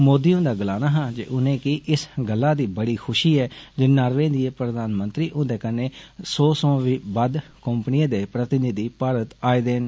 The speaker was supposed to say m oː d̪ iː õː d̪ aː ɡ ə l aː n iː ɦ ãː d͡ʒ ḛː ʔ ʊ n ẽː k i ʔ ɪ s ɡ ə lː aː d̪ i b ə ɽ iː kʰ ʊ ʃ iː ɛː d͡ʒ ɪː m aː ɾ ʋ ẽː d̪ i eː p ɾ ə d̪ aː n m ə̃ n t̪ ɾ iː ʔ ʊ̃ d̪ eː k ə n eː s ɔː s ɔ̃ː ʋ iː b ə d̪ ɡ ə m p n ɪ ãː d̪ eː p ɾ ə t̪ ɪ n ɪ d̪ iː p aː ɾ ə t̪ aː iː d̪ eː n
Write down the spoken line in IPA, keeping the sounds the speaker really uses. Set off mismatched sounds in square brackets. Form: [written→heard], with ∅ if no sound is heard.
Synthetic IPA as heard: m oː d̪ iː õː d̪ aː ɡ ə l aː n [iː→aː] ɦ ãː d͡ʒ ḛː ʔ ʊ n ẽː k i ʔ ɪ s ɡ ə lː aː d̪ [i→iː] b ə ɽ iː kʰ ʊ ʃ iː ɛː d͡ʒ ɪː [m→n] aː ɾ ʋ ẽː d̪ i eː p ɾ ə d̪ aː n m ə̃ n t̪ ɾ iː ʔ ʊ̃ d̪ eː k ə n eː s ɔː s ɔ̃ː ʋ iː b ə d̪ [ɡ→k] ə m p n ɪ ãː d̪ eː p ɾ ə t̪ ɪ n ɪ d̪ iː p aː ɾ ə t̪ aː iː d̪ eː n

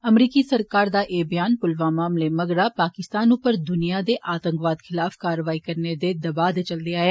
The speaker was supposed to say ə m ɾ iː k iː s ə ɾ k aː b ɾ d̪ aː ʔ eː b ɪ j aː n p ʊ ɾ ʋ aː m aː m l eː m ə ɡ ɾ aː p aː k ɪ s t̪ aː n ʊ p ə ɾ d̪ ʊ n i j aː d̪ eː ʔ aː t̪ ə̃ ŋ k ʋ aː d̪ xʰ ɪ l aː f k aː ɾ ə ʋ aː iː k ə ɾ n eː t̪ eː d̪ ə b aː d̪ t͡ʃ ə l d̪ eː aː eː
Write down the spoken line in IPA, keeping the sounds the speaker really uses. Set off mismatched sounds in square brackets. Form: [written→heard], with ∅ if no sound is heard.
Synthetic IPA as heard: ə m ɾ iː k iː s ə ɾ k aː [b→∅] ɾ d̪ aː ʔ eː b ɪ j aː n p ʊ [ɾ→l] ʋ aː m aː m l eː m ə ɡ ɾ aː p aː k ɪ s t̪ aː n ʊ p ə ɾ d̪ ʊ n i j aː d̪ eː ʔ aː t̪ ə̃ ŋ k ʋ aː d̪ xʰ ɪ l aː f k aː ɾ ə ʋ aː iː k ə ɾ n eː [t̪→d̪] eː d̪ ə b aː d̪ t͡ʃ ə l d̪ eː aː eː

